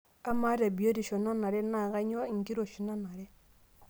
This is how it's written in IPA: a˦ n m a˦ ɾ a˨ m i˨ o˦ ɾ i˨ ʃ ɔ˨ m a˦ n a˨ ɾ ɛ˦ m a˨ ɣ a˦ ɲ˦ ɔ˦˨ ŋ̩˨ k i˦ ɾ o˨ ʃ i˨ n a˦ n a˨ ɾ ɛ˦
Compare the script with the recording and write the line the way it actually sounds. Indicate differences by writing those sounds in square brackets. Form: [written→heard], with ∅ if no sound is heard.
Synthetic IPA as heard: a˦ [n→∅] m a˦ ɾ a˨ [m→b] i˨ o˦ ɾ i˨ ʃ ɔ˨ [m→n] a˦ n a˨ ɾ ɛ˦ [m→n] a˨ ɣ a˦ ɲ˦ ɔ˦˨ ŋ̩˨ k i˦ ɾ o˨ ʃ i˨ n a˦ n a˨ ɾ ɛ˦